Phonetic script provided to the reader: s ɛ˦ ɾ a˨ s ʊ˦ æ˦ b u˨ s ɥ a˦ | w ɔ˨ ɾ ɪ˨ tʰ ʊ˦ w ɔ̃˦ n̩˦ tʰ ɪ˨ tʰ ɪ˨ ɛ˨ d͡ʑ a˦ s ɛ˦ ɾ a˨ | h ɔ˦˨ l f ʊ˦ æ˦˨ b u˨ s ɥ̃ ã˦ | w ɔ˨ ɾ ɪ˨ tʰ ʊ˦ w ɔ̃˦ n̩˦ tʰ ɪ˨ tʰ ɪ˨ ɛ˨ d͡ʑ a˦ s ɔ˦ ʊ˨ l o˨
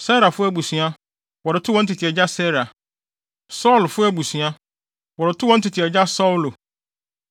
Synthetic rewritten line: s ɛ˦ ɾ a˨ f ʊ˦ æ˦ b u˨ s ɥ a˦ | w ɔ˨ ɾ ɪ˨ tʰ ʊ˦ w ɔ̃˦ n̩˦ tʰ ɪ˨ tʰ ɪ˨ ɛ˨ d͡ʑ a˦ s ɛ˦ ɾ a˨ | s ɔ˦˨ l f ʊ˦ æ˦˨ b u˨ s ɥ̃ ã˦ | w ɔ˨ ɾ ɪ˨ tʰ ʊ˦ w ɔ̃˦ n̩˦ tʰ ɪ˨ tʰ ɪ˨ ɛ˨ d͡ʑ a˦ s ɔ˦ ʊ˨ l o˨